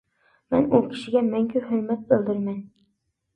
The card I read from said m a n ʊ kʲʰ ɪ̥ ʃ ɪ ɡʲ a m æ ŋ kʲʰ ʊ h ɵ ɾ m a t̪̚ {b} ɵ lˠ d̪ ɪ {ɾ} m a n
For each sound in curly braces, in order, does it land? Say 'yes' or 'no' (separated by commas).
yes, yes